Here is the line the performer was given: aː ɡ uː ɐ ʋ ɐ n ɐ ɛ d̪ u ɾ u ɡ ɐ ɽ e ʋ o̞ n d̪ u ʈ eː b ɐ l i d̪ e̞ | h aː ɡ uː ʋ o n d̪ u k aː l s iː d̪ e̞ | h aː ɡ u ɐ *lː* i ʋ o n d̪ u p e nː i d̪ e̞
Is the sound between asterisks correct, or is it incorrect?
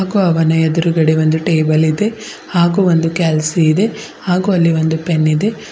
correct